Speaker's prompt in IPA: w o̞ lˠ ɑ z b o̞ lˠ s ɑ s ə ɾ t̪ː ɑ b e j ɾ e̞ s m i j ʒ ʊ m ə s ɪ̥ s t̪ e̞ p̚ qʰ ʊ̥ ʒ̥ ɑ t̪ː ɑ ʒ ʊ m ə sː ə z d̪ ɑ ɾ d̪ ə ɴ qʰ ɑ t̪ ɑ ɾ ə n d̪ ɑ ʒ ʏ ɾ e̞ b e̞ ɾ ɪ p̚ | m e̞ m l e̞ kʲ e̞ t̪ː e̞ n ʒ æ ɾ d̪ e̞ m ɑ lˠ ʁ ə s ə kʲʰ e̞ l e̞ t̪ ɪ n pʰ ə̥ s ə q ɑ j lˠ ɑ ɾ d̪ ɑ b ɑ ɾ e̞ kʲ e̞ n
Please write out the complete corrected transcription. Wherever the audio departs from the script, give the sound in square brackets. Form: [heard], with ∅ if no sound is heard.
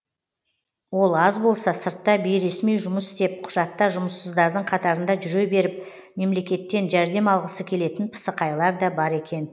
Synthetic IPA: w o̞ lˠ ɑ z b o̞ lˠ s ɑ s ə ɾ t̪ː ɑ b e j ɾ e̞ s m i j ʒ ʊ m ə s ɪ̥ s t̪ e̞ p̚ qʰ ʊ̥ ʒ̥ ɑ t̪ː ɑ ʒ ʊ m ə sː ə z d̪ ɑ ɾ d̪ ə ɴ qʰ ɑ t̪ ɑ ɾ ə n d̪ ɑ ʒ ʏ ɾ e̞ b e̞ ɾ ɪ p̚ | m e̞ m l e̞ kʲ e̞ t̪ː e̞ n ʒ æ ɾ d̪ e̞ m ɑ lˠ ʁ ə s ə kʲʰ e̞ l e̞ t̪ ɪ n pʰ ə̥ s ə q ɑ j lˠ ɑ ɾ d̪ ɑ b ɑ ɾ e̞ kʲ e̞ n